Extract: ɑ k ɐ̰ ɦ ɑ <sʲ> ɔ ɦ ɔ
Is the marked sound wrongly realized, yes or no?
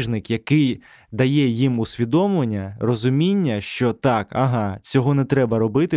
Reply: yes